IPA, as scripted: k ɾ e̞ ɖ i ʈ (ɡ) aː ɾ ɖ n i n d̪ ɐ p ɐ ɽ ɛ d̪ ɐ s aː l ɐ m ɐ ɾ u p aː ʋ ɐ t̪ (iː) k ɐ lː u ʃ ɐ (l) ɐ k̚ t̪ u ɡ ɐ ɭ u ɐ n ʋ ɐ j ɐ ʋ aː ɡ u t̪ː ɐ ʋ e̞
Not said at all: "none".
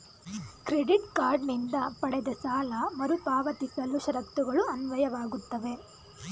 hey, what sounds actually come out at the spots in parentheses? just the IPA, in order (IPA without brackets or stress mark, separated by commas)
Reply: k, i, ɾ